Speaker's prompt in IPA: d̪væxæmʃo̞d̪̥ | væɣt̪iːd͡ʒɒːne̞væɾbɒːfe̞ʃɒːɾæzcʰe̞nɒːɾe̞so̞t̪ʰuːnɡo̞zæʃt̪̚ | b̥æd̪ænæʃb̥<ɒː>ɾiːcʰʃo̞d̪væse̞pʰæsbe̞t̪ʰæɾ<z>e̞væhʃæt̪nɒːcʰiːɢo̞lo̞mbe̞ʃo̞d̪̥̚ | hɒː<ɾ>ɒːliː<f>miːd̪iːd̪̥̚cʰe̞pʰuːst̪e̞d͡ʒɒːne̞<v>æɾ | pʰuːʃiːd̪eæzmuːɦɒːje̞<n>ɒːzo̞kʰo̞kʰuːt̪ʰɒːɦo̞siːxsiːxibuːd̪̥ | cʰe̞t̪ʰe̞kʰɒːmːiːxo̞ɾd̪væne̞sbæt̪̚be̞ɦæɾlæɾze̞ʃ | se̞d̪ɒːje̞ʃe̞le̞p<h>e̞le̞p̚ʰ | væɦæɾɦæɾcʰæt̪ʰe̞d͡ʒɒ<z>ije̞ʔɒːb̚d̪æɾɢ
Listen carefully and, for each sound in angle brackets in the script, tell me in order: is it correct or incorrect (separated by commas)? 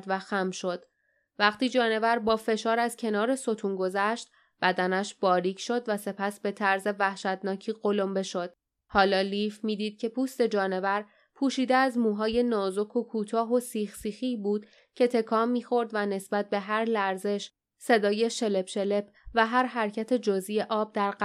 correct, correct, incorrect, correct, correct, correct, incorrect, correct